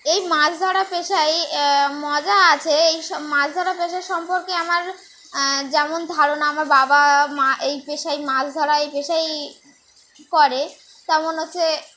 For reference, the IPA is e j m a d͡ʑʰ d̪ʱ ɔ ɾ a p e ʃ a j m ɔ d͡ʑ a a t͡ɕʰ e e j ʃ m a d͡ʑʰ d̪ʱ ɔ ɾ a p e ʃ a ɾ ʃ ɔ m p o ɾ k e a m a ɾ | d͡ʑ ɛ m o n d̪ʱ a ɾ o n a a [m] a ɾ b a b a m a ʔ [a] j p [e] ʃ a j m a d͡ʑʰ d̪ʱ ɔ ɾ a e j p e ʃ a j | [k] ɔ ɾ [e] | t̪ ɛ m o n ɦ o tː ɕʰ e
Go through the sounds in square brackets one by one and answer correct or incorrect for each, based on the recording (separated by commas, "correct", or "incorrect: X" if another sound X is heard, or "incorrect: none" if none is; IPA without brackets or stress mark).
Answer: correct, incorrect: e, correct, correct, correct